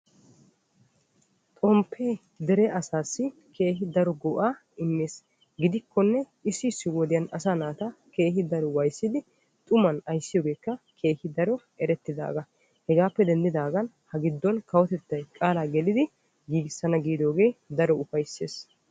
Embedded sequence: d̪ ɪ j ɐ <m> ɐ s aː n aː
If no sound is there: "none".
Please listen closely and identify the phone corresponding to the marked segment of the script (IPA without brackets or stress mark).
n